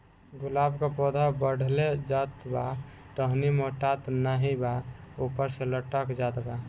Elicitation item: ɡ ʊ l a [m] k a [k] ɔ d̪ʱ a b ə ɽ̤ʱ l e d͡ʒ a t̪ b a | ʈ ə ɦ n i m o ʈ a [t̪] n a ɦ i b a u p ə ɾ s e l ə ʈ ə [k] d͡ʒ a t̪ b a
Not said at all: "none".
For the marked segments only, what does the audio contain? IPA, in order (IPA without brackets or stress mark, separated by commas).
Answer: b, p, t̪, k